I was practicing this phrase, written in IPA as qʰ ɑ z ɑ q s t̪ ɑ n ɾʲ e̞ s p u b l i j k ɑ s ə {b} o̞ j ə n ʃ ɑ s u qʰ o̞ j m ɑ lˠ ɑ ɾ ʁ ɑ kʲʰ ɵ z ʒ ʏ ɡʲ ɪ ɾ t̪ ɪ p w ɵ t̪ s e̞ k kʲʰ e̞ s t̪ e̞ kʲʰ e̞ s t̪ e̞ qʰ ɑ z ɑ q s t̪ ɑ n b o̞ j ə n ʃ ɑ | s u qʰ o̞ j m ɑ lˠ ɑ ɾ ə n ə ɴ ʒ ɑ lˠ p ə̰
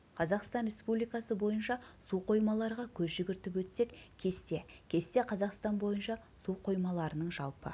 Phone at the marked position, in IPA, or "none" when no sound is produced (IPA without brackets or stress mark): b